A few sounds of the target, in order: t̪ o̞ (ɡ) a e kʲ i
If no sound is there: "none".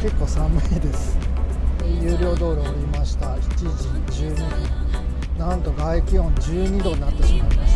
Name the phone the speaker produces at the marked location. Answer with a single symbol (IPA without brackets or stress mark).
ɡ